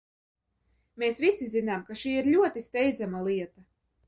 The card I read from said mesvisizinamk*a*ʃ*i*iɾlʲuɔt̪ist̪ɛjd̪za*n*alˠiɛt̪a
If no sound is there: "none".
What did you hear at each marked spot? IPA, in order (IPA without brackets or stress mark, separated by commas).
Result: a, iː, m